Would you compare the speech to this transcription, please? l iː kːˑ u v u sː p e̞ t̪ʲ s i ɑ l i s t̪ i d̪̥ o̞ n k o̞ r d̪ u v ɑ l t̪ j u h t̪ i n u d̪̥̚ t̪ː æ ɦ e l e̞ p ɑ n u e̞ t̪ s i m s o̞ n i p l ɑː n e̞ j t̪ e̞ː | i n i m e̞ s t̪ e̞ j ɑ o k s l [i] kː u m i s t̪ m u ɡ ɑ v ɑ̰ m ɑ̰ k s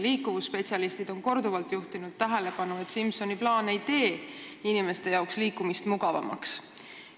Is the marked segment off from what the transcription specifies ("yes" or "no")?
yes